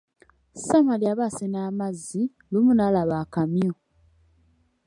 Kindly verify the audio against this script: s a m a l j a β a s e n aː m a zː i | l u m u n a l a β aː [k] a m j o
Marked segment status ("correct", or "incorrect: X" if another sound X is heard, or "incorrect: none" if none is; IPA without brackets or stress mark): correct